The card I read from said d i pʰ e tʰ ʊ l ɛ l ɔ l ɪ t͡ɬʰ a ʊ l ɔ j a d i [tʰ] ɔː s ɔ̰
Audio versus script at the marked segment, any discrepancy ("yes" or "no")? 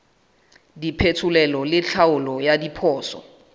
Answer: yes